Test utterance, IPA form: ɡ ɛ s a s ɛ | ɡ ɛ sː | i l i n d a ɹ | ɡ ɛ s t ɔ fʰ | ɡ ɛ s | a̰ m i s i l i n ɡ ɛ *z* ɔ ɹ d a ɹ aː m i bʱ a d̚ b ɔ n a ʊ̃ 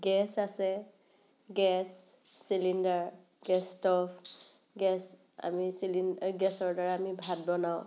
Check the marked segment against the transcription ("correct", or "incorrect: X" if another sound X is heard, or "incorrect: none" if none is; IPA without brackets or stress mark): incorrect: s